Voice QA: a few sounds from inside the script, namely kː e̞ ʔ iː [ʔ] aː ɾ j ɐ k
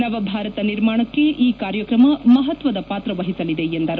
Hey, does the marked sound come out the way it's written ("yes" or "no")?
no